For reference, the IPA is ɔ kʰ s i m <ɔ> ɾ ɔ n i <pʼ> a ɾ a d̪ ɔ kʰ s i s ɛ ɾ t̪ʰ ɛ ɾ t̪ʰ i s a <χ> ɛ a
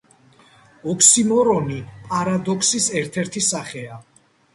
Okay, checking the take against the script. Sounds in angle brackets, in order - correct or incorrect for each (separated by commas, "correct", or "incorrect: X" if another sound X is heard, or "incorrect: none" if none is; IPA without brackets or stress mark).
correct, correct, correct